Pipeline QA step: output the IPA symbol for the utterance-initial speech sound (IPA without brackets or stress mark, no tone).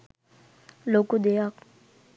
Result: l